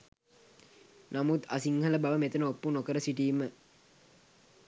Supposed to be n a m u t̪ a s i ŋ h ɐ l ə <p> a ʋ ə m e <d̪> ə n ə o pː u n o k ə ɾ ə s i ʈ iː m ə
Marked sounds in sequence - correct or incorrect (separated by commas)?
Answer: incorrect, incorrect